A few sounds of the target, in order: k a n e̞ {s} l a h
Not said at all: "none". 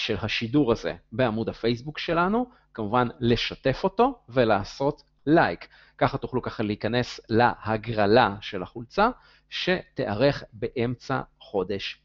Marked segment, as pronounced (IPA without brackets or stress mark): s